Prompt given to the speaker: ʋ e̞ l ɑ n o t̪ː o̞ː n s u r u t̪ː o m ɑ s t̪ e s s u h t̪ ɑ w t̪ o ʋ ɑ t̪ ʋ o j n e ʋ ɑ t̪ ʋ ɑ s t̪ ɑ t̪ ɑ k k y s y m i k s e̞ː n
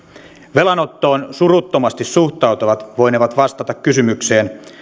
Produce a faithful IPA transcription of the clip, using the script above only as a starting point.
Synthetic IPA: ʋ e̞ l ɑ n o t̪ː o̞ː n s u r u t̪ː o m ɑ s t̪ i s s u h t̪ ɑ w t̪ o ʋ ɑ t̪ ʋ o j n e ʋ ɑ t̪ ʋ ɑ s t̪ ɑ t̪ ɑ k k y s y m y k s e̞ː n